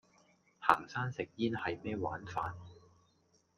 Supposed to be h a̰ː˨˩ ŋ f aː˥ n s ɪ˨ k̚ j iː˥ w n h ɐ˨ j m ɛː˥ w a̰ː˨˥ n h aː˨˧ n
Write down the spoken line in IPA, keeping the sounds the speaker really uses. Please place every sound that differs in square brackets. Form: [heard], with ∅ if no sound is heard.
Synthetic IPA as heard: h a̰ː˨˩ ŋ [s] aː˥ n s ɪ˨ k̚ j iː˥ [∅] n h ɐ˨ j m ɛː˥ w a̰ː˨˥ n [f] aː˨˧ n